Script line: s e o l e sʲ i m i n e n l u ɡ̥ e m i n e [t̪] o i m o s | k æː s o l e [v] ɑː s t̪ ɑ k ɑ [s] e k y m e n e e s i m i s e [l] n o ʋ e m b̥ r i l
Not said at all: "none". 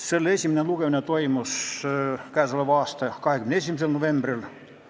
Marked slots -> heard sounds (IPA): t̪, ʋ, h, l

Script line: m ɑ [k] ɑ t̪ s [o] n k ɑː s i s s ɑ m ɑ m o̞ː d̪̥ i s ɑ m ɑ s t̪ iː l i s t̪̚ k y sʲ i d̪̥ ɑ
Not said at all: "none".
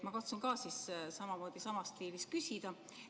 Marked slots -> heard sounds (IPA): k, u

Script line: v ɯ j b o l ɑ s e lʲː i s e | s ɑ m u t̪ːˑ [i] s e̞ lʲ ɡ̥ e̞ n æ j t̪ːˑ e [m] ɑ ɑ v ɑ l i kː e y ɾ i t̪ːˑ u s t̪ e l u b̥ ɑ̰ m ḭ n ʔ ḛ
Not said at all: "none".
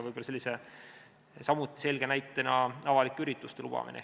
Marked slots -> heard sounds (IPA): i, n

